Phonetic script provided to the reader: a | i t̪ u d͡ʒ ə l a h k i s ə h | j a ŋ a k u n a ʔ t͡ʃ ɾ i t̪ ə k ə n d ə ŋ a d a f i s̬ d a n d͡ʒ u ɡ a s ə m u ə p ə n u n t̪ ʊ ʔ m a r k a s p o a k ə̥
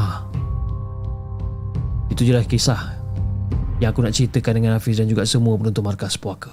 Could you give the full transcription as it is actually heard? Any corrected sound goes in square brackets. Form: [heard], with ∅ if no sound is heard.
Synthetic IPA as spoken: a | i t̪ u d͡ʒ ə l a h k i s [a] h | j a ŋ a k u n a ʔ t͡ʃ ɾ i t̪ ə k [a] n d ə ŋ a [n] a f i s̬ d a n d͡ʒ u ɡ a s ə m u ə p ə n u n t̪ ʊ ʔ m a r k a s p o a k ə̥